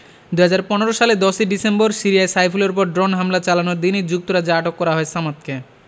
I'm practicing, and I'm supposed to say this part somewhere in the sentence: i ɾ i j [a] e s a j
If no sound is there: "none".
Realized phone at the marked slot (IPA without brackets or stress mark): a